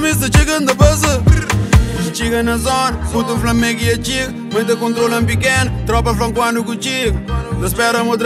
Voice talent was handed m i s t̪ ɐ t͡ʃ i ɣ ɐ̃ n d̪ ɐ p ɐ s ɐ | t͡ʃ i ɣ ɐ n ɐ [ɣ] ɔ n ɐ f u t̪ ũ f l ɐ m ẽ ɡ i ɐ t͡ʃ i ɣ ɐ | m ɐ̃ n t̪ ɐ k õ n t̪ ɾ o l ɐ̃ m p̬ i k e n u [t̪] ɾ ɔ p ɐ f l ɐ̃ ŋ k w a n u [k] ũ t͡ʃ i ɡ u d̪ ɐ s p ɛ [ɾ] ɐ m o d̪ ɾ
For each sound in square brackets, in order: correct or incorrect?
incorrect: z, correct, correct, correct

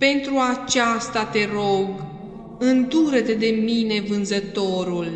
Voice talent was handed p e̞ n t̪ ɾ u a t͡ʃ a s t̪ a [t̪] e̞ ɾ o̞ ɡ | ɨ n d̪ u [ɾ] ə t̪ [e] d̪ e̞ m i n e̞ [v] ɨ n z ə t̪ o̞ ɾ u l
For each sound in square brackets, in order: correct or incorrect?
correct, correct, correct, correct

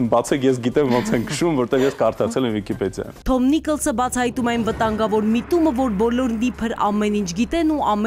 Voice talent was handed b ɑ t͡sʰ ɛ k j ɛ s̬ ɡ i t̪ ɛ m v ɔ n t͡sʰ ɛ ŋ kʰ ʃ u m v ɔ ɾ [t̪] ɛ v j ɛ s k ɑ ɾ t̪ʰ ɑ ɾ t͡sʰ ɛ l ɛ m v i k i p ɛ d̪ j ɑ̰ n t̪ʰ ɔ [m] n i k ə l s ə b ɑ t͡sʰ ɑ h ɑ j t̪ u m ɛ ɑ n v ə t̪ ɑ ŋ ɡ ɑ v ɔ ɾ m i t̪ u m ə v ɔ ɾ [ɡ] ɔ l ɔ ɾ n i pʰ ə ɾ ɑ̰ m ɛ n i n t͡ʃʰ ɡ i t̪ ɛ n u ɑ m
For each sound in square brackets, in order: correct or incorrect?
correct, correct, incorrect: b

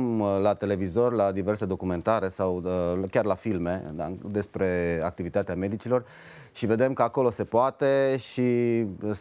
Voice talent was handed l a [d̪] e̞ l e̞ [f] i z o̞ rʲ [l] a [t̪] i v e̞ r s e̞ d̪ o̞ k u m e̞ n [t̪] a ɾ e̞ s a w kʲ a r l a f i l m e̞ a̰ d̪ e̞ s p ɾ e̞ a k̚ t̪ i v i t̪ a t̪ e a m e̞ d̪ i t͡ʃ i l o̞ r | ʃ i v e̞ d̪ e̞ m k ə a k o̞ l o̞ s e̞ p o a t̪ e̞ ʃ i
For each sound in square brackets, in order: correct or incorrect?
incorrect: t̪, incorrect: v, correct, incorrect: d̪, correct

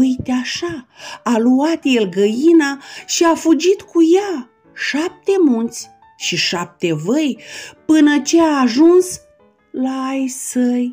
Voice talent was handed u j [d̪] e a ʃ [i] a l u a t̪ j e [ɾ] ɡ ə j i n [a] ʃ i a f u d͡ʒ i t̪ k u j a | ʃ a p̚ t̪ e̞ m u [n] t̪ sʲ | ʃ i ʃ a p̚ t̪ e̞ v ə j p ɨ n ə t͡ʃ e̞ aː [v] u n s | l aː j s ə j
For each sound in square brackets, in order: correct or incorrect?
incorrect: t̪, incorrect: a, incorrect: l, correct, correct, incorrect: ʒ

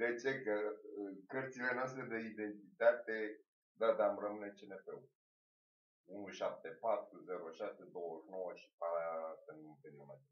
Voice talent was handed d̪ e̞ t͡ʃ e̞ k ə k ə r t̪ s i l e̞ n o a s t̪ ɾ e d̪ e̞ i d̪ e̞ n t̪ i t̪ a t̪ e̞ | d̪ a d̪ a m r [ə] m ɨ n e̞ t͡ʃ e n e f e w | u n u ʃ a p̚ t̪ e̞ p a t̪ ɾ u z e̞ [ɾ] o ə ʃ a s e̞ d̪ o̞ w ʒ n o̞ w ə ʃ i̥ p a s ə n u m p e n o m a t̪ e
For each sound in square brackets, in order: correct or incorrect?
correct, correct

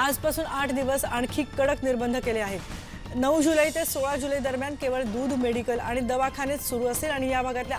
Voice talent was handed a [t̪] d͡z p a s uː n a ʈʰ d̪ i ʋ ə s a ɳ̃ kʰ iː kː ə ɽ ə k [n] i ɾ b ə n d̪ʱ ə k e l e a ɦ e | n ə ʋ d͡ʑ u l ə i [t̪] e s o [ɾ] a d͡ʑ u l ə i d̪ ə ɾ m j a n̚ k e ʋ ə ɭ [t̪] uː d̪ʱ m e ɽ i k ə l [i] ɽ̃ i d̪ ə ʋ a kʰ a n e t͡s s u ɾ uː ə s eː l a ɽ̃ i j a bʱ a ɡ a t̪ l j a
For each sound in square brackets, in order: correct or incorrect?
incorrect: none, correct, correct, incorrect: ɭ, incorrect: d̪, incorrect: a

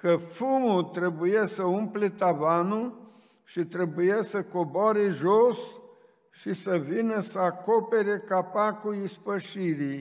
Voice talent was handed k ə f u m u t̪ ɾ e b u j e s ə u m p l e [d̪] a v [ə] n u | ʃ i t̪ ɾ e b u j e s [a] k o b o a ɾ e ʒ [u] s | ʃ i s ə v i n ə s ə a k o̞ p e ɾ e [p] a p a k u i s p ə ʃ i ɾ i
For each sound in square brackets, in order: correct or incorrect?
incorrect: t̪, incorrect: a, incorrect: ə, incorrect: o, incorrect: k

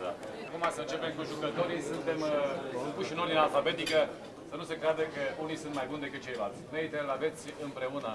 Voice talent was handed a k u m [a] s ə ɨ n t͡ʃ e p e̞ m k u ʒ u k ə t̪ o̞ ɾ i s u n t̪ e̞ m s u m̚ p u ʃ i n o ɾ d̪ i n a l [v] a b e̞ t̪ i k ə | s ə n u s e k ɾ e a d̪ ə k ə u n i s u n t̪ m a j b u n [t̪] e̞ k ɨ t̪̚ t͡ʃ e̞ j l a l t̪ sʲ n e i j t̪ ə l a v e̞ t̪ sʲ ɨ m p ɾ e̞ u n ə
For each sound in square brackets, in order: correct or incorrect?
correct, incorrect: f, incorrect: d̪

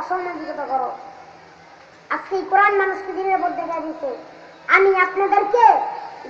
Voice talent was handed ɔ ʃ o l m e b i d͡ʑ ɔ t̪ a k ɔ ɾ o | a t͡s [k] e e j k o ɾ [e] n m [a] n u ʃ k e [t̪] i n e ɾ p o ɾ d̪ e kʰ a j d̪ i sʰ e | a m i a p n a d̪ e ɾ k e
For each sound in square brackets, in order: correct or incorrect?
correct, incorrect: a, correct, incorrect: d̪

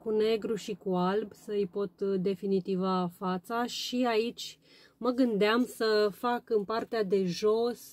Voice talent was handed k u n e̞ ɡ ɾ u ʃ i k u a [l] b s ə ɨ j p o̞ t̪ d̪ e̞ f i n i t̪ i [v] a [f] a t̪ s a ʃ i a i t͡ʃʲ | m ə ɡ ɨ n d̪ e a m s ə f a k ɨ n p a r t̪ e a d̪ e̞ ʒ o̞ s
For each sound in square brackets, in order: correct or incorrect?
correct, correct, correct

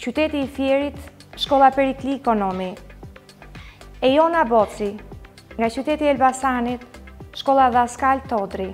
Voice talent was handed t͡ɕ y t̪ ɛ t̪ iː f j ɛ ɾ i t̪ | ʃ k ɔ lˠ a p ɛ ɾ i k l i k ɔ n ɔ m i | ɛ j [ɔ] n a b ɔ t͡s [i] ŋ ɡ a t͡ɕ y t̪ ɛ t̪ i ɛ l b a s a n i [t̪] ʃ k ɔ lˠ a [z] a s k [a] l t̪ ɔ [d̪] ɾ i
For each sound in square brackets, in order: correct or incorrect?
correct, correct, correct, incorrect: ð, correct, correct

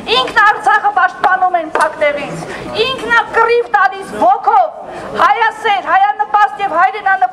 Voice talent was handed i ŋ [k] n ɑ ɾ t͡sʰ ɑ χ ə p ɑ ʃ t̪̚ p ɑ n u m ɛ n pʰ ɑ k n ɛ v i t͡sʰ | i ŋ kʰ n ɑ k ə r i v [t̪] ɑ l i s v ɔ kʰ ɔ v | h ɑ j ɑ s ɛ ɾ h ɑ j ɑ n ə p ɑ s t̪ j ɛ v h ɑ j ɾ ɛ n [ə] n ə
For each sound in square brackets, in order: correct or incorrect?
incorrect: kʰ, correct, incorrect: ɑ

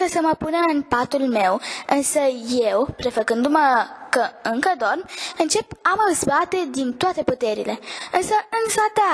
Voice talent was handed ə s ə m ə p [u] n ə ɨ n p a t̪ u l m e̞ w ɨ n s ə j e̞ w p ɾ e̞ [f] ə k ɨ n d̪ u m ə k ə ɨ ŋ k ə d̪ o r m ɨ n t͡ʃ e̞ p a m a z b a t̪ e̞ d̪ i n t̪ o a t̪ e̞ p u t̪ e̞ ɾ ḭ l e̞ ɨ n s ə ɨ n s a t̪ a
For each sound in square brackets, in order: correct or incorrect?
correct, correct

